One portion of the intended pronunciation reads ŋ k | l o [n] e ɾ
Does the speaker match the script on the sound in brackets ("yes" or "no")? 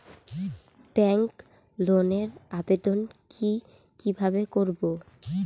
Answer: yes